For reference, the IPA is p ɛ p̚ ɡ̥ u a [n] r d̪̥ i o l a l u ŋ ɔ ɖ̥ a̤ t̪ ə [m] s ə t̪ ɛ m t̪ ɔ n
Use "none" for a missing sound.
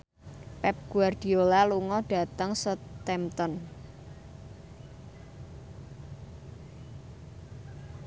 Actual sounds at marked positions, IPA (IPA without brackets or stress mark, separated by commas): none, ŋ